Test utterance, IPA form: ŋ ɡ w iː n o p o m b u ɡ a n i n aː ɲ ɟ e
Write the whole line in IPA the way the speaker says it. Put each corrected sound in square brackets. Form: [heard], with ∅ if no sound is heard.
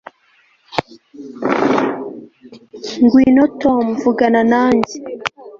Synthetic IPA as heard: ŋ ɡ w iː n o [t] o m [v] u ɡ a n [a] n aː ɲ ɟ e